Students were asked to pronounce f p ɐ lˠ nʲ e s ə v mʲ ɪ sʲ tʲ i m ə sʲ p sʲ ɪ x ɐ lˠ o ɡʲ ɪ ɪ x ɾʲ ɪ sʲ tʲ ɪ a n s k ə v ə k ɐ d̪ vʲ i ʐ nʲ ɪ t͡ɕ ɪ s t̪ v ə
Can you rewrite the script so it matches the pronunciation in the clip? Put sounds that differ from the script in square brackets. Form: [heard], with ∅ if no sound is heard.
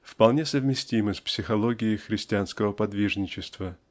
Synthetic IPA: f p ɐ lˠ nʲ e s ə v mʲ ɪ sʲ tʲ i m ə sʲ p sʲ ɪ x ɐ lˠ o ɡʲ ɪ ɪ x ɾʲ ɪ sʲ tʲ ɪ a n s k ə v ə [p] ɐ d̪ vʲ i ʐ nʲ ɪ t͡ɕ ɪ s t̪ v ə